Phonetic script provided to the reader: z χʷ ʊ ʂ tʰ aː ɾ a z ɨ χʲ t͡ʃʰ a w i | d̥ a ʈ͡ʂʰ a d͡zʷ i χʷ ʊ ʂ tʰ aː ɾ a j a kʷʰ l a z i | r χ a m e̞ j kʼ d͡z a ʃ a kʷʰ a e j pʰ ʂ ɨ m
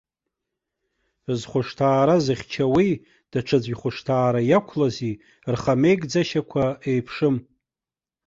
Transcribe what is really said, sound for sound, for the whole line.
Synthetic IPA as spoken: z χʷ ʊ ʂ tʰ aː ɾ a z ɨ χʲ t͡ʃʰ a w i | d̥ a ʈ͡ʂʰ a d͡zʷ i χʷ ʊ ʂ tʰ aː ɾ a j a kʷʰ l a z i | r χ a m e̞ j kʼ d͡z a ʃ a kʷʰ a e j pʰ ʂ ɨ m